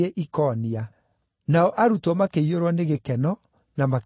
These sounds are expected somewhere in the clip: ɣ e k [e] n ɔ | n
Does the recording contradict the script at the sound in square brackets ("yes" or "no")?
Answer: yes